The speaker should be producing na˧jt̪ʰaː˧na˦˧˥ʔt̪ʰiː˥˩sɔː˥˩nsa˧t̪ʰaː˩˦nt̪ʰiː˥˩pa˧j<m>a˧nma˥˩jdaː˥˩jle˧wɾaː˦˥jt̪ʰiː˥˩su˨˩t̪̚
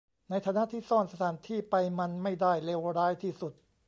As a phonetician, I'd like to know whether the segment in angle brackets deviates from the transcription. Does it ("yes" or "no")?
no